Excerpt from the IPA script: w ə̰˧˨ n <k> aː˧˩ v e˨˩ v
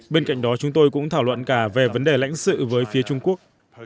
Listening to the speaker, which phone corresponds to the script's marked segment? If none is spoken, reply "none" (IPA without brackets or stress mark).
k